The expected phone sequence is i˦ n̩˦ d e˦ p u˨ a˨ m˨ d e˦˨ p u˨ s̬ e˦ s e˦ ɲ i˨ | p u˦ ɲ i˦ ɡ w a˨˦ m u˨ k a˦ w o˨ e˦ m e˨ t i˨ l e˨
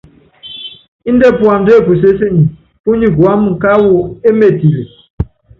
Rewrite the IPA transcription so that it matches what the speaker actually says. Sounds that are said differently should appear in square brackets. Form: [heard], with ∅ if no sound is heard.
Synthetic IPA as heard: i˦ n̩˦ d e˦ p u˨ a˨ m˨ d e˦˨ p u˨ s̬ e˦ s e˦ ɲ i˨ | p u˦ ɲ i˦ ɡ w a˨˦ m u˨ k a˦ w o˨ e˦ m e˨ t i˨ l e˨